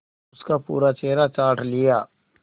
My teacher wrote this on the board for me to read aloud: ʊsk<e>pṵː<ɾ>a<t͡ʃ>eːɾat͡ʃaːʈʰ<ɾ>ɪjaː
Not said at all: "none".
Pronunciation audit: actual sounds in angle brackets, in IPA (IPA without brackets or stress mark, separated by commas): a, ɾ, t͡ʃ, l